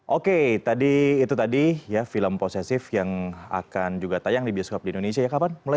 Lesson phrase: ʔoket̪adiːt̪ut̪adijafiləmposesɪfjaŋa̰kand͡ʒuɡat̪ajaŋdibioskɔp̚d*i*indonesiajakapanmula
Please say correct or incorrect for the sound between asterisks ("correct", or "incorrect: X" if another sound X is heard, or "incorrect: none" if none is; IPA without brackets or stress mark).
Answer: correct